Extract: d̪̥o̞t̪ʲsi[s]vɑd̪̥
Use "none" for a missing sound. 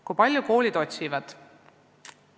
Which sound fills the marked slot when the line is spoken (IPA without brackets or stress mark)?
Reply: none